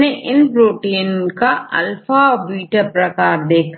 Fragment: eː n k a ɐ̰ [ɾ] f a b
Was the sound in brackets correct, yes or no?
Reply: no